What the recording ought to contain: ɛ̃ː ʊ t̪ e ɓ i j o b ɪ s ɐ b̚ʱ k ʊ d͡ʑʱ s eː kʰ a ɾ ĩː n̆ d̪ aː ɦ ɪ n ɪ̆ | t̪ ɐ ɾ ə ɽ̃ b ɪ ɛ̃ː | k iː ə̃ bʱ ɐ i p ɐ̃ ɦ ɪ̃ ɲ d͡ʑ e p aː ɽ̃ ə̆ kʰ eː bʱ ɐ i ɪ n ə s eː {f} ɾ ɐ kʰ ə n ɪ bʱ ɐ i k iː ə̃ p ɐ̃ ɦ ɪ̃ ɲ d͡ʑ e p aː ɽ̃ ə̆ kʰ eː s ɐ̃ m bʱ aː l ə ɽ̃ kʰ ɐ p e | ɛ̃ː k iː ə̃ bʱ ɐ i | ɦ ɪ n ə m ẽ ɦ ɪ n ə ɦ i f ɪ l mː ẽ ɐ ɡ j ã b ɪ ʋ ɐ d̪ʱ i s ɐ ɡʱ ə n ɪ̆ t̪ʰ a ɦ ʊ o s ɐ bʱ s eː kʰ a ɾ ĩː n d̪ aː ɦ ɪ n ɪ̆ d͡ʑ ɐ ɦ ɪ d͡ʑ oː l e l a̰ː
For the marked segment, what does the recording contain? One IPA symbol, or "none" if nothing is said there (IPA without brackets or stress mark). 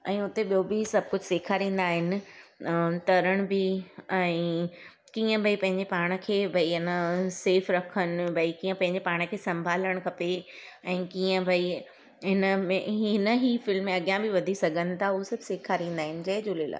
f